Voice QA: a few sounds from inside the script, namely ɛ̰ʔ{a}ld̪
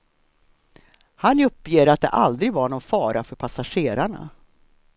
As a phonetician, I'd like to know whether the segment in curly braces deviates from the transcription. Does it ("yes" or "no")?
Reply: no